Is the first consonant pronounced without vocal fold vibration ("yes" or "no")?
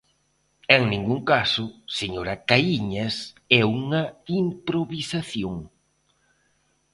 no